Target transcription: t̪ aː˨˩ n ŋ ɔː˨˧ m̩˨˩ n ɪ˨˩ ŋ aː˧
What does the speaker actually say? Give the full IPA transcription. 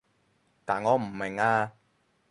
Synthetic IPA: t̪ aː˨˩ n ŋ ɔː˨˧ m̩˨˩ m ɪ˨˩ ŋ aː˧

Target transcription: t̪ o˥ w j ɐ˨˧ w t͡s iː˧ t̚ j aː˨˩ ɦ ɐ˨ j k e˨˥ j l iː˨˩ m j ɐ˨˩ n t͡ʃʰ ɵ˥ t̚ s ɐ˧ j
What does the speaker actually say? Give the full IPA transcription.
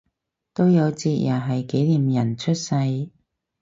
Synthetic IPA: t̪ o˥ w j ɐ˨˧ w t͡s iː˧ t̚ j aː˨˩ ɦ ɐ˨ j k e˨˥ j l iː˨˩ m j ɐ˨˩ n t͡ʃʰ ɵ˥ t̚ s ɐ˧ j

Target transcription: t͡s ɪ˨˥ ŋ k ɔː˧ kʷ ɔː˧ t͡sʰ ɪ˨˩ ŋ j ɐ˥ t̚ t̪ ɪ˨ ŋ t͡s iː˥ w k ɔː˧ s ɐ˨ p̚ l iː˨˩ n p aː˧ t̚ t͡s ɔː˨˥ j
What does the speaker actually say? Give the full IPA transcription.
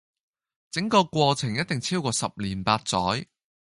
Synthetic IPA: t͡s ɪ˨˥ ŋ k ɔː˧ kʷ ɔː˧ t͡sʰ ɪ˨˩ ŋ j ɐ˥ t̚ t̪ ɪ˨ ŋ t͡sʰ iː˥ w k ɔː˧ s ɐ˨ p̚ l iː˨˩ n p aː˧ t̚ t͡s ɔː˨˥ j

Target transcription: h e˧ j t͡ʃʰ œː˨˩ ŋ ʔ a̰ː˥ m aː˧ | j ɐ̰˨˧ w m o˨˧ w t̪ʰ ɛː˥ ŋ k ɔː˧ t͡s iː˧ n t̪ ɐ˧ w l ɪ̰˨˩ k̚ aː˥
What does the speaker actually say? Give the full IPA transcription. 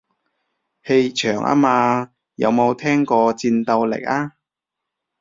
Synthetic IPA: h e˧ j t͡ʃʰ œː˨˩ ŋ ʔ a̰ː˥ m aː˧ | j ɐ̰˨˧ w m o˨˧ w t̪ʰ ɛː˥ ŋ k ɔː˧ t͡s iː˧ n t̪ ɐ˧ w l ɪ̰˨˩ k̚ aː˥

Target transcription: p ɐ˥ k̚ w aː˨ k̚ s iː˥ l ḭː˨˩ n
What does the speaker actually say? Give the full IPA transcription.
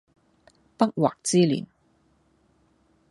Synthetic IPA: p ɐ˥ k̚ w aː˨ k̚ t͡s iː˥ l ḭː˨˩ n

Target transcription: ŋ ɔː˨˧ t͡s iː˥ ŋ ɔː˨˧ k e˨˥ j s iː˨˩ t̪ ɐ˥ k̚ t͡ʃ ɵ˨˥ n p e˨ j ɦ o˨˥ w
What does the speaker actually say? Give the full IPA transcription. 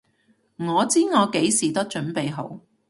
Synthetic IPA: ŋ ɔː˨˧ t͡s iː˥ ŋ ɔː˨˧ k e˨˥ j s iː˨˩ t̪ ɐ˥ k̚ t͡ʃ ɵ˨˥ n p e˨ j ɦ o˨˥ w

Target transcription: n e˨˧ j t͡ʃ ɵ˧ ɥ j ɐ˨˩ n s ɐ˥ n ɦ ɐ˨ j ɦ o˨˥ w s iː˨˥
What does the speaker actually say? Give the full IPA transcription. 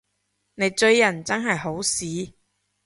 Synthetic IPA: n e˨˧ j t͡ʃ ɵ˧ ɥ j ɐ˨˩ n t͡s ɐ˥ n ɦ ɐ˨ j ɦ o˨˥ w s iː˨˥

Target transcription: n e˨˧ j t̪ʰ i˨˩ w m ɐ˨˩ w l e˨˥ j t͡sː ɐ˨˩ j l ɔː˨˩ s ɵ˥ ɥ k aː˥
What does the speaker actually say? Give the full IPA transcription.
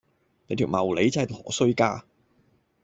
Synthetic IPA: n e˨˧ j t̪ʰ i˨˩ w m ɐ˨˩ w l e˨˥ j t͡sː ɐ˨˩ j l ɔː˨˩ s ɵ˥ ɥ k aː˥

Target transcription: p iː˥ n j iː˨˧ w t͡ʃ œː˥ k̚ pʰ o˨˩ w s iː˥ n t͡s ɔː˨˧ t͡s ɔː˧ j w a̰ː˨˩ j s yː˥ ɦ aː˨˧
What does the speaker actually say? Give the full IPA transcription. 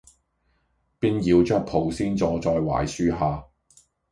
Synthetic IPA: p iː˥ n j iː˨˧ w t͡ʃ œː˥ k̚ pʰ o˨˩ w s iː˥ n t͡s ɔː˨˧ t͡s ɔː˧ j w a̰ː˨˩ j s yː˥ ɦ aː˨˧

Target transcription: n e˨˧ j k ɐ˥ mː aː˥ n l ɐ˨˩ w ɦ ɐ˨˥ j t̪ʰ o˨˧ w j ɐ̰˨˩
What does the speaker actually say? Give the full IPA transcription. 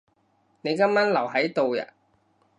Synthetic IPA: n e˨˧ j k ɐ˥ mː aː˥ n l ɐ˨˩ w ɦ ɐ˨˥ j t̪ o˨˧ w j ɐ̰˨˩

